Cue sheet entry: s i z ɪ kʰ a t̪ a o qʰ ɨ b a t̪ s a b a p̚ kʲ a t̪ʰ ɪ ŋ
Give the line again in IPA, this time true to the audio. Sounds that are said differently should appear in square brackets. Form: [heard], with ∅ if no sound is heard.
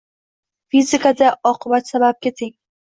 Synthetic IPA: [f] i z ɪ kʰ a [d̪] a [ɒ] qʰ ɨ b a t̪ s a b a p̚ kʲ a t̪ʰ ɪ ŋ